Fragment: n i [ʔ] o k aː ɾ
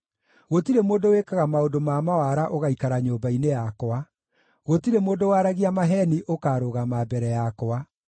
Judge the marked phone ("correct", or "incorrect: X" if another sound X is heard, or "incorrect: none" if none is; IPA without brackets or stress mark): correct